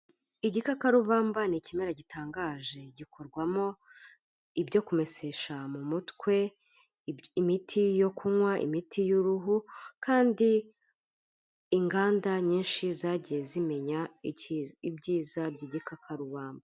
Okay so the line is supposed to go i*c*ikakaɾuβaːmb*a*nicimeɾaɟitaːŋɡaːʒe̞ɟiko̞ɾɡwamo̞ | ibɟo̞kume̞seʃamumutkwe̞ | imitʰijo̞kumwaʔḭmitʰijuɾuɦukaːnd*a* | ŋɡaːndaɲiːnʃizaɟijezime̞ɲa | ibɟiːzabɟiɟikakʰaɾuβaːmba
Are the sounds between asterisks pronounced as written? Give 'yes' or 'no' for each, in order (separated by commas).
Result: no, yes, no